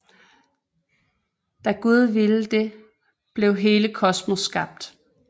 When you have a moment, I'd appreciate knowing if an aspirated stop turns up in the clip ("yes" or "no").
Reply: yes